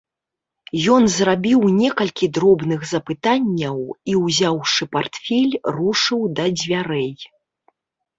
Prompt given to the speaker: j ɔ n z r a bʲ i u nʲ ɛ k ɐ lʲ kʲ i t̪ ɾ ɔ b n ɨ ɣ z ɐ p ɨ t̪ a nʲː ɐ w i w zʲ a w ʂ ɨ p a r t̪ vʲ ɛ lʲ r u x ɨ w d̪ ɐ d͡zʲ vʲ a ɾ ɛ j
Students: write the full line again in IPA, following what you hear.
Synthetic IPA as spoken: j ɔ n z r a bʲ i w nʲ ɛ k ɐ lʲ kʲ i d̪ ɾ ɔ b n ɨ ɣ z ɐ p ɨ t̪ a nʲː ɐ w i w zʲ a w ʂ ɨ p a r t̪ fʲ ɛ lʲ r u ʂ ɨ w d̪ ɐ d͡zʲ vʲ a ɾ ɛ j